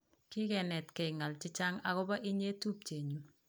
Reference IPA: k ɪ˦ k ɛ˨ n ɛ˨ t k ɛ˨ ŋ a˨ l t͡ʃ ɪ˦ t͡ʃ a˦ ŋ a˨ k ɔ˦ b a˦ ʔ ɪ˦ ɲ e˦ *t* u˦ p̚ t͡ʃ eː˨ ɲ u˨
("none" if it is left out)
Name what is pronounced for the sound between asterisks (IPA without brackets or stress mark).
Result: t